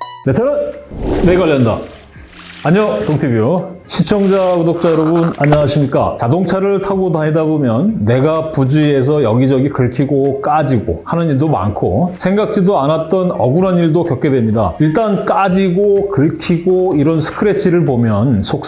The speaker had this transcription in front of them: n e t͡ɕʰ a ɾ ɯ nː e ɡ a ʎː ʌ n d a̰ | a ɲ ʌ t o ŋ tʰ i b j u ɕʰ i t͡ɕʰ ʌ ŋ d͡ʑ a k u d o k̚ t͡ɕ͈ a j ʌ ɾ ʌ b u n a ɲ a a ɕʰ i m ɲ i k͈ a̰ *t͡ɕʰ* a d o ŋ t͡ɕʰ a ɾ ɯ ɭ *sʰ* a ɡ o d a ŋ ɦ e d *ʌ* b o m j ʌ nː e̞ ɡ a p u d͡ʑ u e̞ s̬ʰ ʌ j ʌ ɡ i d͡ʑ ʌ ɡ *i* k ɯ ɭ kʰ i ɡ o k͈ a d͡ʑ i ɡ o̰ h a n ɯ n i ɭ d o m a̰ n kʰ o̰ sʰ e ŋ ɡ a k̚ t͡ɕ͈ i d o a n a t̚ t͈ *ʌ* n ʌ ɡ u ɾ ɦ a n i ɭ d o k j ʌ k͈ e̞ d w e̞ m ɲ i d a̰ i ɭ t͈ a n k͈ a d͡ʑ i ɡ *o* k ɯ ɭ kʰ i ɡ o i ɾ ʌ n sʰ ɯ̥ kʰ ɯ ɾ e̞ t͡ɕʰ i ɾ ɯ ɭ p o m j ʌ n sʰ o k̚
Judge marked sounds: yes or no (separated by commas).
no, no, no, yes, yes, yes